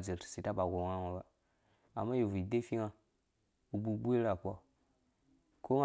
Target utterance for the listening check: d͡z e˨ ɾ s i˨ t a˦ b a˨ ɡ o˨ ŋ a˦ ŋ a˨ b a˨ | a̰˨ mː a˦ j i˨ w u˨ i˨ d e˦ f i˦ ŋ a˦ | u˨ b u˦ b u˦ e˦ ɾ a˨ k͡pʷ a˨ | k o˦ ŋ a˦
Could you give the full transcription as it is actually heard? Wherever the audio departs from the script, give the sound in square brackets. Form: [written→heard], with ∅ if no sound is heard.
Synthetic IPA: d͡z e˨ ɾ s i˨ t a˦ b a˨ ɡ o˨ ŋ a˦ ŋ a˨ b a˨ | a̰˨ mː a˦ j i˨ [w→v] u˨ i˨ d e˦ f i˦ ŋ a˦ | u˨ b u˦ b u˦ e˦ ɾ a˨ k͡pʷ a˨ | k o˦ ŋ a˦